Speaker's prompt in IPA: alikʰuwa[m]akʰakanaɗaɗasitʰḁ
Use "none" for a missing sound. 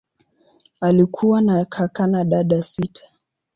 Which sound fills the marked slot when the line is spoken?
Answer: n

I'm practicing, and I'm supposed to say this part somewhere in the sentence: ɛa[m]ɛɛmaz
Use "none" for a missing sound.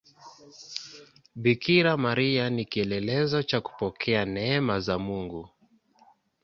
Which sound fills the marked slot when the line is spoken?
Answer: n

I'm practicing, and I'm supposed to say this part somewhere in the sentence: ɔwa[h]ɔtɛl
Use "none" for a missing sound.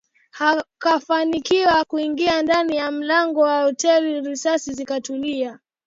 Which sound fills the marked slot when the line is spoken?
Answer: h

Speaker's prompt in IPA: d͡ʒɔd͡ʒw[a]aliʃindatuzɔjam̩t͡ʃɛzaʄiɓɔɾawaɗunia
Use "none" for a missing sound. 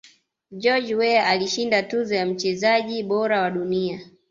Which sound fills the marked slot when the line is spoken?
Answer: ɛ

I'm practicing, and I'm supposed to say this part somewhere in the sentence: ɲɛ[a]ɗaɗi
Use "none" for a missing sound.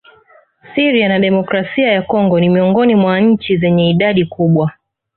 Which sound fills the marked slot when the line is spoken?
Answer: i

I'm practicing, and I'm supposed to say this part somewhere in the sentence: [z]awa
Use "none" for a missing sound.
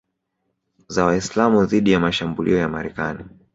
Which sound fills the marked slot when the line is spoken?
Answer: z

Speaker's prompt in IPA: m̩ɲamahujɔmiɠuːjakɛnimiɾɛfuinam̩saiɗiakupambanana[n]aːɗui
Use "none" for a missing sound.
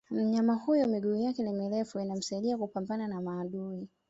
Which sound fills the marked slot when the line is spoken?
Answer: m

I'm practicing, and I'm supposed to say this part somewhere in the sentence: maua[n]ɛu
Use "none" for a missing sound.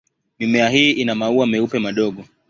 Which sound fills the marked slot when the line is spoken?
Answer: m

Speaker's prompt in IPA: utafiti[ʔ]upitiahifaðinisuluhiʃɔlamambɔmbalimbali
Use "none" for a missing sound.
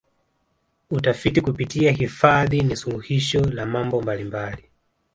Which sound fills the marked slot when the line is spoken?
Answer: k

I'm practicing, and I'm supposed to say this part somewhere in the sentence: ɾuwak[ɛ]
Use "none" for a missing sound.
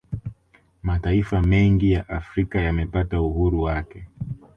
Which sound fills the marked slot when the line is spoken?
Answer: ɛ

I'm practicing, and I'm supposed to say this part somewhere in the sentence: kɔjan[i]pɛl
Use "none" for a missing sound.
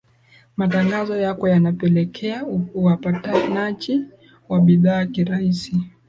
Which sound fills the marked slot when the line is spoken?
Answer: a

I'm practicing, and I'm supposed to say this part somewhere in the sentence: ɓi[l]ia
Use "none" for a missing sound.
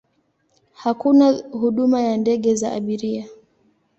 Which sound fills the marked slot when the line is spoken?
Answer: ɾ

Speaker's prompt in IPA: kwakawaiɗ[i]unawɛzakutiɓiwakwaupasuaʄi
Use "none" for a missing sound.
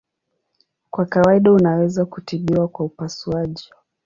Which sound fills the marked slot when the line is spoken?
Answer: a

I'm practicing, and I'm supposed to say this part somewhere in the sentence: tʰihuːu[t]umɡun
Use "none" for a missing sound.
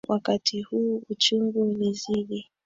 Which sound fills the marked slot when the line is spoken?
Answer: t͡ʃ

